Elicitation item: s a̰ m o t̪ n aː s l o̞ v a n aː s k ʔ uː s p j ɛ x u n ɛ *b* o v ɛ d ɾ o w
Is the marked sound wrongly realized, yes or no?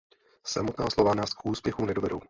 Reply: yes